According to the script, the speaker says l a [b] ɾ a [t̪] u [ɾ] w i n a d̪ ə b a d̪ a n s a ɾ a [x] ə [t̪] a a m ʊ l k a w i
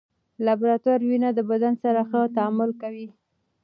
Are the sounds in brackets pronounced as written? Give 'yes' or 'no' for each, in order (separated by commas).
yes, yes, yes, yes, yes